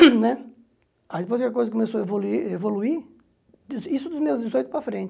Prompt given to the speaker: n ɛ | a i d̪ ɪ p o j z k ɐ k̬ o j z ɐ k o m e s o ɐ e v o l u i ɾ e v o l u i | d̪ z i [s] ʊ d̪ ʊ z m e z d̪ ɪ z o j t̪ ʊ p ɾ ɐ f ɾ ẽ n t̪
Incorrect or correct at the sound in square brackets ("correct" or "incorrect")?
correct